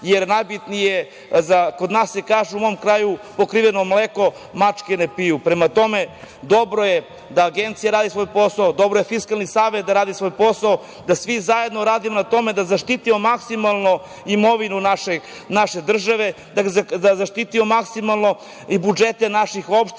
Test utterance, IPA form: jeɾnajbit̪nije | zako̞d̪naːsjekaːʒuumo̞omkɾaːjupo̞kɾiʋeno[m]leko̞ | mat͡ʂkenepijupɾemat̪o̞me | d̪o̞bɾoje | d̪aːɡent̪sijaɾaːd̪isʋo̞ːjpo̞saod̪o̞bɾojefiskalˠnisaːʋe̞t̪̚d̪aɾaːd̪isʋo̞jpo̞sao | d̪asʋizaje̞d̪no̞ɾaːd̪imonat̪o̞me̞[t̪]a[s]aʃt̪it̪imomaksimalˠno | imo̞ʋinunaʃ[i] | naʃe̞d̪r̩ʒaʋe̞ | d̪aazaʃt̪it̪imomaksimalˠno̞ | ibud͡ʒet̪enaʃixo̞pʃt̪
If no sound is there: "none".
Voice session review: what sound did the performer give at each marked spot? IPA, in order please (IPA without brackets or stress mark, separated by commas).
m, d̪, z, e